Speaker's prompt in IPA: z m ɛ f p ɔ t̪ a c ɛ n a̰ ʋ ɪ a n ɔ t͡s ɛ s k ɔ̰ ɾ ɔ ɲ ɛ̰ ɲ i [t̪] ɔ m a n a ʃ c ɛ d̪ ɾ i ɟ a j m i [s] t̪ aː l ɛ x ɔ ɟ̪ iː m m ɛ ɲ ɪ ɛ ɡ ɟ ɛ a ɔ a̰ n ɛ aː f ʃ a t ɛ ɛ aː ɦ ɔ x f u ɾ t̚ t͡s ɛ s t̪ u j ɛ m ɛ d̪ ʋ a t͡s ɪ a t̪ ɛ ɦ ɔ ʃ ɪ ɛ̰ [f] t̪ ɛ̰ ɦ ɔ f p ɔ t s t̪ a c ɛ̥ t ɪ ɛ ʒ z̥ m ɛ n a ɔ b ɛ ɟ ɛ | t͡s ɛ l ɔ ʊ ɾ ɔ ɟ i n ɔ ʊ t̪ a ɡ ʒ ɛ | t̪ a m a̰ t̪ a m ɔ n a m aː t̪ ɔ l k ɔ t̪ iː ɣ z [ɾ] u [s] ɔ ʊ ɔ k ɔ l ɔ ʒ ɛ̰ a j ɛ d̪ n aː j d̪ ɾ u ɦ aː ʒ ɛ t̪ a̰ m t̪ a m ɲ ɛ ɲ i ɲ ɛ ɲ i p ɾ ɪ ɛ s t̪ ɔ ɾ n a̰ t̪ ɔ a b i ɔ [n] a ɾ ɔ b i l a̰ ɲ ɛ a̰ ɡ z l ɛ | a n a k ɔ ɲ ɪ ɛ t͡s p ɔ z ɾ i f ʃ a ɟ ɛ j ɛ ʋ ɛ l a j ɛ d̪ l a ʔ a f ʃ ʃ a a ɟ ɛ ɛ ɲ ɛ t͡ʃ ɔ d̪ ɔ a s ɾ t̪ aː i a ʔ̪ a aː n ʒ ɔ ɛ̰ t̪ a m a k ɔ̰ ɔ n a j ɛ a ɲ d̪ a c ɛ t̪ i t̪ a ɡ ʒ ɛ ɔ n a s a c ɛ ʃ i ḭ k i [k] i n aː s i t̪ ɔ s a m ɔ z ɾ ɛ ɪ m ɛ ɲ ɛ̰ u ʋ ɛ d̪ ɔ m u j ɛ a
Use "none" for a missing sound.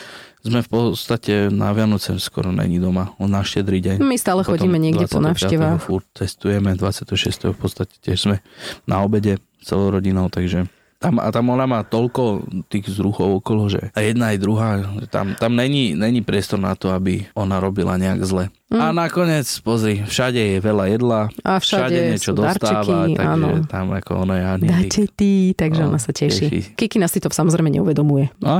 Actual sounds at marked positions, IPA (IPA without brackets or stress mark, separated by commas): d̪, s, s, ɾ, x, n, k